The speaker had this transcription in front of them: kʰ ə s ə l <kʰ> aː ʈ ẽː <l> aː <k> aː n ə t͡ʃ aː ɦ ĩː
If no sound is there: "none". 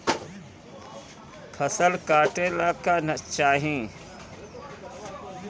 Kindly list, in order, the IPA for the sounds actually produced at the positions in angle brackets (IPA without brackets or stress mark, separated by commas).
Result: k, l, k